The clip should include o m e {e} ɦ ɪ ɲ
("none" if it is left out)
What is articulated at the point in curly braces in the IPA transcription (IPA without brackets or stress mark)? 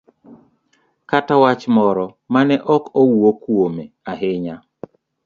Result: a